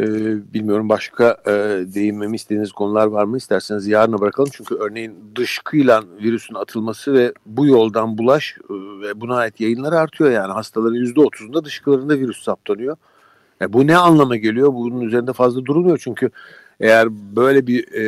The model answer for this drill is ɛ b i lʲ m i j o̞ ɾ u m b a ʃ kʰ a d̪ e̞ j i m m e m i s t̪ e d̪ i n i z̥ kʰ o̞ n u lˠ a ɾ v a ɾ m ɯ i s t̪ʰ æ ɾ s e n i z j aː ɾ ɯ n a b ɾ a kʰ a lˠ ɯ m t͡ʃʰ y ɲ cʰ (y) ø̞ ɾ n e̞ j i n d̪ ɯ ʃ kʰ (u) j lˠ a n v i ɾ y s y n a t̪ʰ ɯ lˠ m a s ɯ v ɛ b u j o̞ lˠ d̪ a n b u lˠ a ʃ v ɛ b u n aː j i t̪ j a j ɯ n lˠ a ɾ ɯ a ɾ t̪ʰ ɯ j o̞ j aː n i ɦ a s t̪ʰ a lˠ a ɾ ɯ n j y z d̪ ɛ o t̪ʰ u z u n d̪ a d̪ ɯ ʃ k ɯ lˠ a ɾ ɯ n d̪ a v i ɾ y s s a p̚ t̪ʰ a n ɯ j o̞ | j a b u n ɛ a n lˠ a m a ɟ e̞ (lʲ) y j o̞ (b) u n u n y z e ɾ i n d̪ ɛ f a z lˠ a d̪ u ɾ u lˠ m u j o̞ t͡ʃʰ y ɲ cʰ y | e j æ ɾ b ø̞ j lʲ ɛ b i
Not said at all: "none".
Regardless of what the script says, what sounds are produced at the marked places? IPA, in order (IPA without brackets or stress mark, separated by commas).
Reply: y, ɯ, lʲ, b